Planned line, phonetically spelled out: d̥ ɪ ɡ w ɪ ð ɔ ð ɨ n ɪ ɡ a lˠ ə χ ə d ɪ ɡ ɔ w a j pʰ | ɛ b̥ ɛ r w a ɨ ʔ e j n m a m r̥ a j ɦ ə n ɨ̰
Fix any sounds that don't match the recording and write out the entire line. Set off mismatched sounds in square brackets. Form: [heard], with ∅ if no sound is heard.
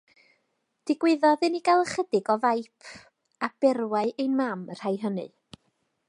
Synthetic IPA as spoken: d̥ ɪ ɡ w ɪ ð ɔ ð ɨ n [i] ɡ a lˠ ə χ ə d ɪ ɡ ɔ [v] a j pʰ | [a] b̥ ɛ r w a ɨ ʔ e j n m a m r̥ a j ɦ ə n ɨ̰